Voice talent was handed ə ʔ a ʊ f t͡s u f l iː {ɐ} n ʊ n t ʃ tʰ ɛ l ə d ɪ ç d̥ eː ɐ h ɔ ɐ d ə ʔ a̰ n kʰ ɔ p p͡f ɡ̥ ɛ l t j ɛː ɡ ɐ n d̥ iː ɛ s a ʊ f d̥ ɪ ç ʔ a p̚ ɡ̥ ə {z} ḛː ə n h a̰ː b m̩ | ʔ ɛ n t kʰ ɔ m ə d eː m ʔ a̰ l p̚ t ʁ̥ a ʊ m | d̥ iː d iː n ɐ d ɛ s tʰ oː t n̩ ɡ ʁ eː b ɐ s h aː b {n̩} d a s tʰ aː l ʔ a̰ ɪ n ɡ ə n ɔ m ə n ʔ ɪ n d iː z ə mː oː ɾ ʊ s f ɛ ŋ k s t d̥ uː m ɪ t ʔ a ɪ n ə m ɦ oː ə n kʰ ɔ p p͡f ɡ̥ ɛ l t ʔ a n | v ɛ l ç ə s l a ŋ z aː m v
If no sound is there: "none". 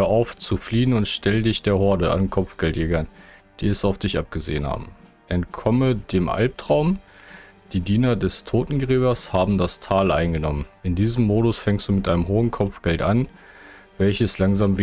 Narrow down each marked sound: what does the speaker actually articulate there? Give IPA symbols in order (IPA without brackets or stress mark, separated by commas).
ə, z, m̩